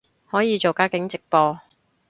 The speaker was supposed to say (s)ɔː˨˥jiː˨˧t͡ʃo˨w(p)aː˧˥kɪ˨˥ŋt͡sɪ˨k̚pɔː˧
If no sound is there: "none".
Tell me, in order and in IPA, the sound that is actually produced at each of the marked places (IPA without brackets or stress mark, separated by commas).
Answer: h, k